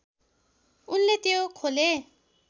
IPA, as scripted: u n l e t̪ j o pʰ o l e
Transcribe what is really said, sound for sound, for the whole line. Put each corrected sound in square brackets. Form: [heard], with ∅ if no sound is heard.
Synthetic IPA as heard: u n l e t̪ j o [kʰ] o l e